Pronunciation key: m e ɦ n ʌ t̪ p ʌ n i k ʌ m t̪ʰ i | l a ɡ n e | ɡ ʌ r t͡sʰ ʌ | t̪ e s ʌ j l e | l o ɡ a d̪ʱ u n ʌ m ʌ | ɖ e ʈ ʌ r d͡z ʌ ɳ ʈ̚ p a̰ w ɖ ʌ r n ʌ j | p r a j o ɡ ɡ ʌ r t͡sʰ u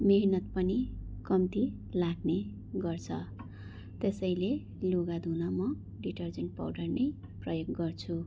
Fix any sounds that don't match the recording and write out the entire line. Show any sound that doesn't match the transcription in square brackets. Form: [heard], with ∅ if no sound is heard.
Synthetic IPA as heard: m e ɦ n ʌ t̪ p ʌ n i k ʌ m [t̪] i | l a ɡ n e | ɡ ʌ r t͡sʰ ʌ | t̪ e s ʌ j l e | l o ɡ a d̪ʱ u n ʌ m ʌ | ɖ [i] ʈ ʌ r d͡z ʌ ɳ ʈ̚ p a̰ w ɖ ʌ r n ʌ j | p r [ʌ] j o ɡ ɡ ʌ r t͡sʰ u